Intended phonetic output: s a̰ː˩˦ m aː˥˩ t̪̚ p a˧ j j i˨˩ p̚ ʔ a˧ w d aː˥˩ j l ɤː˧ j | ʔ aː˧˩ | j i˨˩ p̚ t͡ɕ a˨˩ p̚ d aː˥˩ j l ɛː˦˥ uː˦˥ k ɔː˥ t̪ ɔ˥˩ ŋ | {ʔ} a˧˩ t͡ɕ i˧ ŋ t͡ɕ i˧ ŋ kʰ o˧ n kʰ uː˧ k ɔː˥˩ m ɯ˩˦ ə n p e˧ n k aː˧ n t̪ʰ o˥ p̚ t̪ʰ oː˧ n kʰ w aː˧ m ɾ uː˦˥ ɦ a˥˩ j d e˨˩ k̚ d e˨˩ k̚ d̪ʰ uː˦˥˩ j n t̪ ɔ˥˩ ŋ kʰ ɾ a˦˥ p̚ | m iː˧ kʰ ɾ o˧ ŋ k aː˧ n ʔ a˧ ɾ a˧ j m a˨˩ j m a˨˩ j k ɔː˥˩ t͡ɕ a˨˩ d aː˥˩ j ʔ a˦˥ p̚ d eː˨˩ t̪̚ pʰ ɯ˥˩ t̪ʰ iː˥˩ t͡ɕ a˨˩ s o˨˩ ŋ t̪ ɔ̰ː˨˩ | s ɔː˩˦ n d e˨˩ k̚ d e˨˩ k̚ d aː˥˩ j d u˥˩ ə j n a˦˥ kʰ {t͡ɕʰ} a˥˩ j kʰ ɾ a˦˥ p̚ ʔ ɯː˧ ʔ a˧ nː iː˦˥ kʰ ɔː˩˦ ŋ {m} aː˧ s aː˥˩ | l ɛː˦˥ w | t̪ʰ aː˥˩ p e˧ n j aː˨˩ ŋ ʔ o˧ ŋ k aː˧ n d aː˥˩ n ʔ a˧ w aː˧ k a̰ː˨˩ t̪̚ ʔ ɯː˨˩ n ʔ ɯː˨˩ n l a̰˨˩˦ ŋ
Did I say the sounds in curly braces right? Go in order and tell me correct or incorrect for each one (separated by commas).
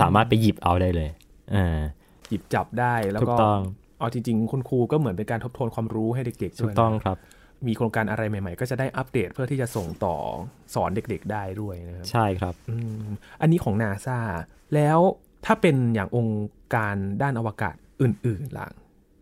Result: correct, correct, incorrect